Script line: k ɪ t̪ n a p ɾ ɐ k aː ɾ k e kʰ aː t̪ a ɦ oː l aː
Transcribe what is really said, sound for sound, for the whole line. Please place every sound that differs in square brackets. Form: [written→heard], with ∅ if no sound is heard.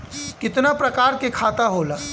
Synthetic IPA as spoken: k ɪ t̪ n a p ɾ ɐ k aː ɾ k e kʰ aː t̪ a ɦ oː l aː